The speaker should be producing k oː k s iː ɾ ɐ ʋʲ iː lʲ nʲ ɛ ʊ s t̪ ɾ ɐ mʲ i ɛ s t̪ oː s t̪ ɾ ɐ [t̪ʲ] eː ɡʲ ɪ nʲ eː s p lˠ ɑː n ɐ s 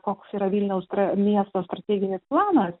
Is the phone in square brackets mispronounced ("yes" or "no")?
no